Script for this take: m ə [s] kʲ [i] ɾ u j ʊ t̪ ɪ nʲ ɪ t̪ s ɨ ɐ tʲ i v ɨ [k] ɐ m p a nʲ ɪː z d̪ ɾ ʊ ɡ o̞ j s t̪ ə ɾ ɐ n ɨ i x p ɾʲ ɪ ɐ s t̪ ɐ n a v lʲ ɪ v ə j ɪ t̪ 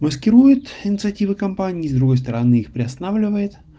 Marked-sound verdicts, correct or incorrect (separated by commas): correct, incorrect, correct